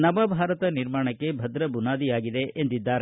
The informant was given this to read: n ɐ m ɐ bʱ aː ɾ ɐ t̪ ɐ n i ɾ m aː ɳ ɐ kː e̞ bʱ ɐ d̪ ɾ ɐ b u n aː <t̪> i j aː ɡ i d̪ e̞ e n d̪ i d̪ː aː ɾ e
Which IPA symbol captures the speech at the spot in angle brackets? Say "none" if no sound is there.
d̪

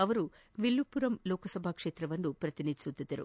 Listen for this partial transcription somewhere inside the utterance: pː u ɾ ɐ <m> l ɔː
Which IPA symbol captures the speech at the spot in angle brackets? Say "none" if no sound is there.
m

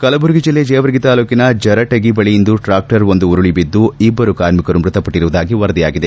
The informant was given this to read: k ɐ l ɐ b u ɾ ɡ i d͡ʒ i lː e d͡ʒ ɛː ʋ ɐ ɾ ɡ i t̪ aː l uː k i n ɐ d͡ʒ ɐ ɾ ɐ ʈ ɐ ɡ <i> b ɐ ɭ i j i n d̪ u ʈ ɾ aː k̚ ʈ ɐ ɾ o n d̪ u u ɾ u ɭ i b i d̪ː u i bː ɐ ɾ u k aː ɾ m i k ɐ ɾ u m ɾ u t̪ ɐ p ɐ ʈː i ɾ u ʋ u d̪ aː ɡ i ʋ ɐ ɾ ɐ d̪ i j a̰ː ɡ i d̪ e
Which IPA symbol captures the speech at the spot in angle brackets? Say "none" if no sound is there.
i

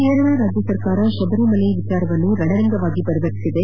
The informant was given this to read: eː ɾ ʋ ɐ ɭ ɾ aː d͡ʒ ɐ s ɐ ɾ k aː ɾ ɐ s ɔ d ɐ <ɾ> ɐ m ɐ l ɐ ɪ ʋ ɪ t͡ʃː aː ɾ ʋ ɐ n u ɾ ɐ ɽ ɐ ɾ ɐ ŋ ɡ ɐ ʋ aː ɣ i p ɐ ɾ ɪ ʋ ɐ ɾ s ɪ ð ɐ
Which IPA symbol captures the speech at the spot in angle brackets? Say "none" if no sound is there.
ɾ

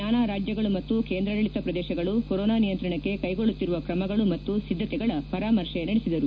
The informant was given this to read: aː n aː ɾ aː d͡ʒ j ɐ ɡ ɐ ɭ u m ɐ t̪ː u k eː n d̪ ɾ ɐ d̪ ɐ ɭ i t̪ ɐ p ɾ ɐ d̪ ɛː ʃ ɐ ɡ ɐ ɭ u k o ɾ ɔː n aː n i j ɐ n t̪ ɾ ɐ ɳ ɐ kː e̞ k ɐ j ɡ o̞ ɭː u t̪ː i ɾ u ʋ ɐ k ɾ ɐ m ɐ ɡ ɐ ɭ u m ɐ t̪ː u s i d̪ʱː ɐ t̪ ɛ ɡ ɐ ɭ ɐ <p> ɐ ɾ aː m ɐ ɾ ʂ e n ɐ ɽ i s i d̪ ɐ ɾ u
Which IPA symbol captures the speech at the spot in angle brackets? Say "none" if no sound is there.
p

